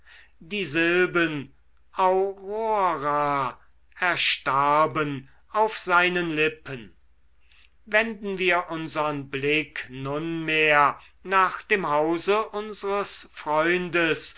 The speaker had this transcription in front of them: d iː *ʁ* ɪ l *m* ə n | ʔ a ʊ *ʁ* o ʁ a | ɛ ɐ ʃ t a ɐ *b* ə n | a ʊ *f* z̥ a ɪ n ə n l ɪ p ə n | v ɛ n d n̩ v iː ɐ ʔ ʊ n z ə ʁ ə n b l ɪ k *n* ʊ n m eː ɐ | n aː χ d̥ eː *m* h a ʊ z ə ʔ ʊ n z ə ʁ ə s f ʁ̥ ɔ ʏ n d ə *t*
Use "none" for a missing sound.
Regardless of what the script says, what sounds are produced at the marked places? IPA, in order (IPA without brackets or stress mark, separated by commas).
z, b, ʁ, b, f, n, m, s